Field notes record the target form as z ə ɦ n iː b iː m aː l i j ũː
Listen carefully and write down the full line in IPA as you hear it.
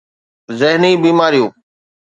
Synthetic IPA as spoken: z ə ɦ n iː b iː m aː ɾ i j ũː